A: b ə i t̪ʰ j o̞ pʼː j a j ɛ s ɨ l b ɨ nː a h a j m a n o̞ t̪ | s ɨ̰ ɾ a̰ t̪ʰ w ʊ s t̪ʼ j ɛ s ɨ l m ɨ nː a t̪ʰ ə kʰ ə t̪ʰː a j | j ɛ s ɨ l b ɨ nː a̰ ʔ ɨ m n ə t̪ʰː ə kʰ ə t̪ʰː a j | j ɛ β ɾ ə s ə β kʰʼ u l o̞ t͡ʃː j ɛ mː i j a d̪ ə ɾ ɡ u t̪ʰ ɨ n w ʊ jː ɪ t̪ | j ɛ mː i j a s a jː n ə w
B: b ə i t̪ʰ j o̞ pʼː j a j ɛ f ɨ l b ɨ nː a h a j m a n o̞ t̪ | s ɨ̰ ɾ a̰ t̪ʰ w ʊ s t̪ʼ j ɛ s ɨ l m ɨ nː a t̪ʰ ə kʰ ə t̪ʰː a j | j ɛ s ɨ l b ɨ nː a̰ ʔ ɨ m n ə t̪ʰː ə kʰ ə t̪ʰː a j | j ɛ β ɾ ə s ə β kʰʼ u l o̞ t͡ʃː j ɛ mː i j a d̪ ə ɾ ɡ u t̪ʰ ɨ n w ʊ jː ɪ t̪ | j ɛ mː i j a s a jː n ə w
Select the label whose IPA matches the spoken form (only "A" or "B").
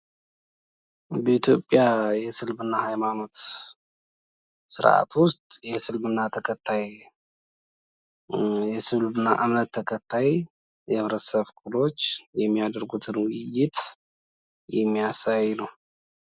A